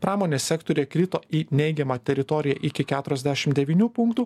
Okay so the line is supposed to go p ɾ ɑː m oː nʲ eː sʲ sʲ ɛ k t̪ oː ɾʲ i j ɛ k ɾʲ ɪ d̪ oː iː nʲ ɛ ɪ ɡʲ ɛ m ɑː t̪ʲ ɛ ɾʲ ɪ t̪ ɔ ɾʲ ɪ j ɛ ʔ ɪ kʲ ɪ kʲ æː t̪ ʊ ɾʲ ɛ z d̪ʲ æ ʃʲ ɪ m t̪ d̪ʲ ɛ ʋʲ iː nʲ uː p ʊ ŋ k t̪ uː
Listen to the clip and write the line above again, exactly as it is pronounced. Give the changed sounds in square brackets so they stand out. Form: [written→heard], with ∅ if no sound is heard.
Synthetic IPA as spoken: p ɾ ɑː m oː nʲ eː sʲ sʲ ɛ k t̪ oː ɾʲ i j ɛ k ɾʲ ɪ [d̪→t̪] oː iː nʲ ɛ ɪ ɡʲ ɛ m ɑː t̪ʲ ɛ ɾʲ ɪ t̪ ɔ ɾʲ ɪ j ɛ ʔ ɪ kʲ ɪ kʲ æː t̪ ʊ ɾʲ ɛ z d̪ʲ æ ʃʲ ɪ m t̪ d̪ʲ ɛ ʋʲ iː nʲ uː p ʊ ŋ k t̪ uː